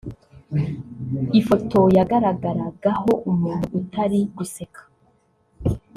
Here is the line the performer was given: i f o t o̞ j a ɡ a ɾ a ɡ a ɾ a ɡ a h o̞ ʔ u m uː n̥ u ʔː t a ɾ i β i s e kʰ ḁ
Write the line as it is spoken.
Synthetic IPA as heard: i f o t o̞ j a ɡ a ɾ a ɡ a ɾ a ɡ a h o̞ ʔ u m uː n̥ u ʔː t a ɾ i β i s e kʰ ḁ